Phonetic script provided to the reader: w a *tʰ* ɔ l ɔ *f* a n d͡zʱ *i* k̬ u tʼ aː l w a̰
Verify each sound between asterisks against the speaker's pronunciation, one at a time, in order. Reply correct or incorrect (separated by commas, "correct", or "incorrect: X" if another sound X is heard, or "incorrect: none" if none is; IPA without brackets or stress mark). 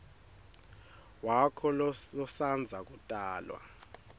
incorrect: kʰ, incorrect: s, incorrect: a